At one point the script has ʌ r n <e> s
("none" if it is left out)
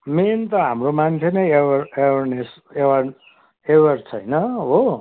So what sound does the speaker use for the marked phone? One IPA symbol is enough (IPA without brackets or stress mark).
e